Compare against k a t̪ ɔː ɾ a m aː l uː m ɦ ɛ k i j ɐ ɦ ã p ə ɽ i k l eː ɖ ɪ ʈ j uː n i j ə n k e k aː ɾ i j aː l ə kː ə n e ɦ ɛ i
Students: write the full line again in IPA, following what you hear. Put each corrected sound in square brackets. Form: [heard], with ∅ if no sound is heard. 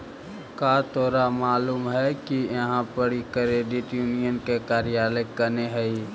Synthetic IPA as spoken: k a t̪ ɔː ɾ a m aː l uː m ɦ ɛ k i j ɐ ɦ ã p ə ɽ i k [ɾ] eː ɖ ɪ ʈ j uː n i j ə n k e k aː ɾ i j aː l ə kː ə n e ɦ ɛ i